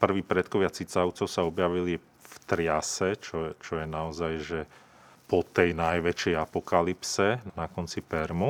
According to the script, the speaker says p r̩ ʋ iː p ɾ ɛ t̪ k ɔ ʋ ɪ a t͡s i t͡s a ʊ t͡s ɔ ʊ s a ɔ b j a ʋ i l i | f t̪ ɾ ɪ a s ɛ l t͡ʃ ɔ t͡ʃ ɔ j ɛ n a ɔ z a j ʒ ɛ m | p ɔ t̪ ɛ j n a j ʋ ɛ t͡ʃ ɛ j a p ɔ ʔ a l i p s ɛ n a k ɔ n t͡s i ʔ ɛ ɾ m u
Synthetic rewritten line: p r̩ ʋ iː p ɾ ɛ t̪ k ɔ ʋ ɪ a t͡s i t͡s a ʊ t͡s ɔ ʊ s a ɔ b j a ʋ i l i | f t̪ ɾ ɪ a s ɛ t͡ʃ ɔ t͡ʃ ɔ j ɛ n a ɔ z a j ʒ ɛ | p ɔ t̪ ɛ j n a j ʋ ɛ t͡ʃ ɛ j a p ɔ k a l i p s ɛ n a k ɔ n t͡s i p ɛ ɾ m u